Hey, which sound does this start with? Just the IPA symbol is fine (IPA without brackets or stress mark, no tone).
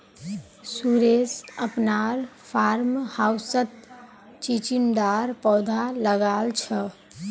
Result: s